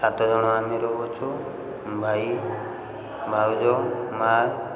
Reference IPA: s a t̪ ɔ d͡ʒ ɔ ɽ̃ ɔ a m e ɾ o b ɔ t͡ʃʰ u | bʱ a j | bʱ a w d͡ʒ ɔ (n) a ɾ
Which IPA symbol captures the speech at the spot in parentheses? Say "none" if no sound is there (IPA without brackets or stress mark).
m